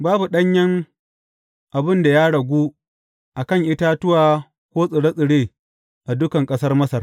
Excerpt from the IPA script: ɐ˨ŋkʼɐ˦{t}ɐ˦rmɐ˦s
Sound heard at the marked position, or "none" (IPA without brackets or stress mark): s